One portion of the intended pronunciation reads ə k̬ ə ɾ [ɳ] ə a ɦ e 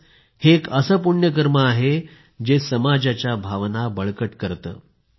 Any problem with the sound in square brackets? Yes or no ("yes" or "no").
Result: yes